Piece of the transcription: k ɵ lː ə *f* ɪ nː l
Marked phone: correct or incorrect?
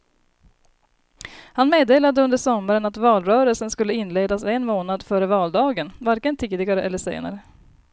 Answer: incorrect